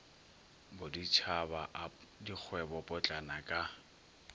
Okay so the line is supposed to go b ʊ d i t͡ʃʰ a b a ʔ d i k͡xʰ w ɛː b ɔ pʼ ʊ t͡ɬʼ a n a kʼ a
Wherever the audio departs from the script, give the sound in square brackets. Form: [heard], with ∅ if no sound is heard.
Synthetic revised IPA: b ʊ d i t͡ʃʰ a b a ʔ d i k͡xʰ w [ɛ] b ɔ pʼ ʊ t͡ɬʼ a n a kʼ a